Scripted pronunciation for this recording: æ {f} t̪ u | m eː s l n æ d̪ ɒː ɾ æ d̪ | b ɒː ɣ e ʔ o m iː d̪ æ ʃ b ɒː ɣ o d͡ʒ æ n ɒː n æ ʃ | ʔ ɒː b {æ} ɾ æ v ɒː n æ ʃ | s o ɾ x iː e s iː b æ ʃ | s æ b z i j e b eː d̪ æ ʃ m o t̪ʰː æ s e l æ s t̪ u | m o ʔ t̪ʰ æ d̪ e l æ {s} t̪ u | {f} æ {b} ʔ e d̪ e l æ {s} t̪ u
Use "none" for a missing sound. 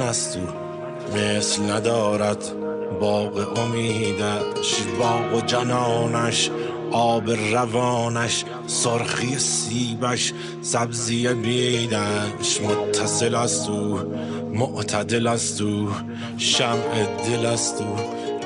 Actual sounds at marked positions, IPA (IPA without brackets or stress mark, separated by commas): s, e, s, ʃ, m, s